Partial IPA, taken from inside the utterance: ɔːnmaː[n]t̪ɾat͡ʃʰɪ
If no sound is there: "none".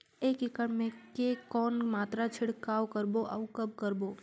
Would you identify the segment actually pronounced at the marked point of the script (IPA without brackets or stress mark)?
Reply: none